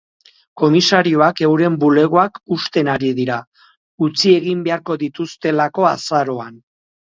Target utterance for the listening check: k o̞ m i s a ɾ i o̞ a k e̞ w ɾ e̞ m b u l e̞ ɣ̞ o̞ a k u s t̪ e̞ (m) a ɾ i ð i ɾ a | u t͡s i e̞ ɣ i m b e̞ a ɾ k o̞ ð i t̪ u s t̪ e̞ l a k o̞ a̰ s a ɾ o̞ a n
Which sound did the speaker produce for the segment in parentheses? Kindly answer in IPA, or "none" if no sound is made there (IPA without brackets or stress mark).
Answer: n